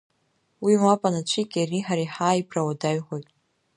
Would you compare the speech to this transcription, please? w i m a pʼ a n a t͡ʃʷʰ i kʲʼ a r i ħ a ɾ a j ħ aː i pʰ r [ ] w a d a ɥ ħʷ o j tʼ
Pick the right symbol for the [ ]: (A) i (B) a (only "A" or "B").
B